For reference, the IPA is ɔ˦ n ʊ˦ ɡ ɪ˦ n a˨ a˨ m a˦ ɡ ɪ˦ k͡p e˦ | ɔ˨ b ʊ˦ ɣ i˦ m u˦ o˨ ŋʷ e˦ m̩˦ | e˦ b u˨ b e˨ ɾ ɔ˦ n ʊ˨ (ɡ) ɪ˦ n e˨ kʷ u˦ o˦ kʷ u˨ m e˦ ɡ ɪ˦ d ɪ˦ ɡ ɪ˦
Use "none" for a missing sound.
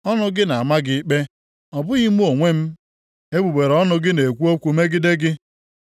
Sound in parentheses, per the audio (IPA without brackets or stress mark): ɡ